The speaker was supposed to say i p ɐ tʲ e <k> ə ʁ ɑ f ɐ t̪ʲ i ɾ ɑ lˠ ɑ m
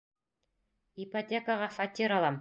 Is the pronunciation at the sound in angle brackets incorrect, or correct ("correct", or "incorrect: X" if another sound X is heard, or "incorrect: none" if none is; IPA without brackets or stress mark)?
correct